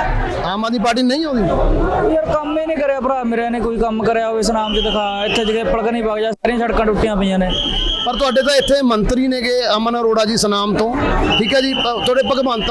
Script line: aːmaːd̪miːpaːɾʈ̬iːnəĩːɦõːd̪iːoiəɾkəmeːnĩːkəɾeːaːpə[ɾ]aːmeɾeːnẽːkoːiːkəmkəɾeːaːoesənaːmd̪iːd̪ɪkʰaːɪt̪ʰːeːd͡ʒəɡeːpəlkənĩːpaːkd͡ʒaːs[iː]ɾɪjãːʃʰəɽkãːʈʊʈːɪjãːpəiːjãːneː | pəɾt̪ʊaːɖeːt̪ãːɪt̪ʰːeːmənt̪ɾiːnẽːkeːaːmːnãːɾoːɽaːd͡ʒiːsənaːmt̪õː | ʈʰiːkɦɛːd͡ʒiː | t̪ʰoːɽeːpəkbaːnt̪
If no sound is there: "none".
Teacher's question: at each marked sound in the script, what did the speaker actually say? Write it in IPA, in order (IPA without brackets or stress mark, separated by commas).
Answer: ɾ, aː